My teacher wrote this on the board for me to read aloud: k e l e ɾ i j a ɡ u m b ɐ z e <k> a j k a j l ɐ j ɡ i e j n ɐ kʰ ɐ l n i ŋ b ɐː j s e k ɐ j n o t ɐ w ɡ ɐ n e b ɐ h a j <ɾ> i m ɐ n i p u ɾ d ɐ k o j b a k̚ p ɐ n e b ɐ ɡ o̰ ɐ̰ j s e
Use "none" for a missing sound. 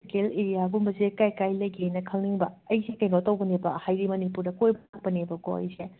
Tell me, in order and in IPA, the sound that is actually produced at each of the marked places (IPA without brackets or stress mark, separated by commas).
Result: k, ɾ